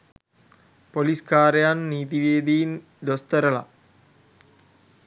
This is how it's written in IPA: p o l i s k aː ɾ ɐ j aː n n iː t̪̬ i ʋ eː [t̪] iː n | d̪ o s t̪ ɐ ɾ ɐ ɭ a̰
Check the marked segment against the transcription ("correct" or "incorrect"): incorrect